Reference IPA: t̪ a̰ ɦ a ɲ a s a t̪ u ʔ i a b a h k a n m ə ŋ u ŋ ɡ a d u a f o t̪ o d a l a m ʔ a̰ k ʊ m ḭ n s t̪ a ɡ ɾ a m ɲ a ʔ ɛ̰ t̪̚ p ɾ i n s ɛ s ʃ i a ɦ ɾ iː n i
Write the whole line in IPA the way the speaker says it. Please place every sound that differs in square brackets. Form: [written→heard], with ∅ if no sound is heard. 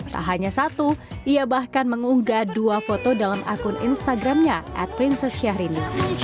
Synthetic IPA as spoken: t̪ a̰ ɦ a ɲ a s a t̪ u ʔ i a b a h k a n m ə ŋ u ŋ ɡ a d u a f o t̪ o d a l a m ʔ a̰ k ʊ [m→n] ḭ n s t̪ a ɡ ɾ a m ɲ a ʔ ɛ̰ t̪̚ p ɾ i n s ɛ s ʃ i a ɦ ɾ [iː→i] n i